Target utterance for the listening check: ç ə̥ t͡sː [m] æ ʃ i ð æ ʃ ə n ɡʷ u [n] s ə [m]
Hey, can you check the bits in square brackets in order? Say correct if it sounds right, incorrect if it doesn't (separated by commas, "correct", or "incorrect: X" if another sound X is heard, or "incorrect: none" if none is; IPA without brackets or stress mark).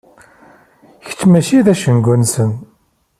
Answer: correct, correct, incorrect: n